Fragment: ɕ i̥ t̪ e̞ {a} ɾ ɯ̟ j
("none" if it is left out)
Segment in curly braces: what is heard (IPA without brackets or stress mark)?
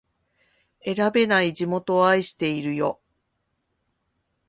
i